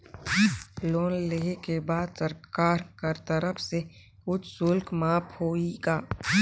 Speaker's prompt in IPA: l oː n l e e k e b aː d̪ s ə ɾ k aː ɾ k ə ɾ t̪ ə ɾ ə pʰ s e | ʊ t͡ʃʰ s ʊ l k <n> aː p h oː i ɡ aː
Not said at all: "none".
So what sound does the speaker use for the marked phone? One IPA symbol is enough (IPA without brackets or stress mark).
m